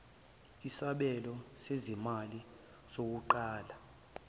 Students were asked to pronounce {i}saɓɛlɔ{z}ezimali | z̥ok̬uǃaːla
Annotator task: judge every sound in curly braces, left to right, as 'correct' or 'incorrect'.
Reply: correct, incorrect

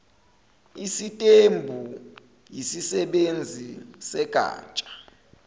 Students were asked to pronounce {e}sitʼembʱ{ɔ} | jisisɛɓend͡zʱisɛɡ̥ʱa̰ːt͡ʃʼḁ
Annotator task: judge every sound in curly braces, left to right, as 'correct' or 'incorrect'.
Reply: incorrect, incorrect

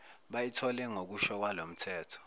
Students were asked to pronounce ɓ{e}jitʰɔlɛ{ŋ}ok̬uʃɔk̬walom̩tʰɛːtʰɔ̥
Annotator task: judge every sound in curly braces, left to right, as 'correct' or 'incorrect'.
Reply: incorrect, correct

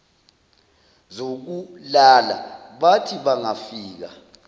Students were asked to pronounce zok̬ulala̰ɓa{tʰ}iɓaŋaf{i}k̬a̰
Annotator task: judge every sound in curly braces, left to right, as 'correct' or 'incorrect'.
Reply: correct, incorrect

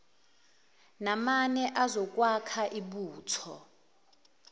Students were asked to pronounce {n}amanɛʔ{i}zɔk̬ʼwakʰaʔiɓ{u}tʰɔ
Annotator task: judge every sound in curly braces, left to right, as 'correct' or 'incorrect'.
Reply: correct, incorrect, incorrect

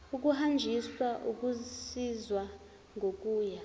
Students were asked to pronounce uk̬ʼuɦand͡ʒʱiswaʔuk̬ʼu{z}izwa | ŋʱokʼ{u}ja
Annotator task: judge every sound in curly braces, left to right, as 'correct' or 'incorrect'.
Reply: incorrect, incorrect

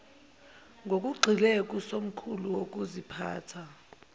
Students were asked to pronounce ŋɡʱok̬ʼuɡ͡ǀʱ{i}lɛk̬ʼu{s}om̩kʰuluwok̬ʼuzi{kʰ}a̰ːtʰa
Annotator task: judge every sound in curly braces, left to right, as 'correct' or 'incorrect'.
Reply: correct, correct, incorrect

